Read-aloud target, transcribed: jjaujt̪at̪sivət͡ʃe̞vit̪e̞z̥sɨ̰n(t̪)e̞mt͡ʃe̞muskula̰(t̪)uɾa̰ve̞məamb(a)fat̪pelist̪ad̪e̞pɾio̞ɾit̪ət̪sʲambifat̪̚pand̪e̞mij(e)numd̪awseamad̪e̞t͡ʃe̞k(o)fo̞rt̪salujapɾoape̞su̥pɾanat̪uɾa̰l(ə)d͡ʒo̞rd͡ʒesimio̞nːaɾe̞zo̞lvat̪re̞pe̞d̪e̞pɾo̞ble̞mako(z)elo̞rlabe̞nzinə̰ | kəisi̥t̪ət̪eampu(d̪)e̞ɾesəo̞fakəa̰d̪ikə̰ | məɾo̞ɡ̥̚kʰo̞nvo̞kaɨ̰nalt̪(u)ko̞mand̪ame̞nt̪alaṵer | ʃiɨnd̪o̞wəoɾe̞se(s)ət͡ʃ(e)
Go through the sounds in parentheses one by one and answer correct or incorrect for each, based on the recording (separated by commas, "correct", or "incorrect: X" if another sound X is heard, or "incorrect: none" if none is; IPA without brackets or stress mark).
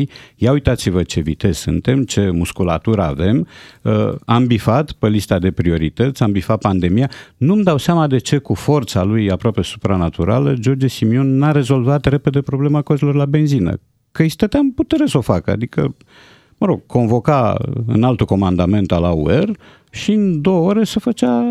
correct, correct, incorrect: i, incorrect: a, incorrect: u, correct, correct, incorrect: t̪, correct, incorrect: f, incorrect: a